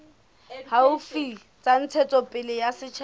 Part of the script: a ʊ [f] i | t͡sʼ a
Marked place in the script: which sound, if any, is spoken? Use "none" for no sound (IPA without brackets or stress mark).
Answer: f